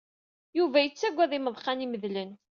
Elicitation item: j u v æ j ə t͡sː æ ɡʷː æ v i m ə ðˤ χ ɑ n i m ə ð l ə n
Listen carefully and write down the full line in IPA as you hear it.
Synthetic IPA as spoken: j u v æ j ə t͡sː æ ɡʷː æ ð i m ə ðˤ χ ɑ n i m ə ð l ə n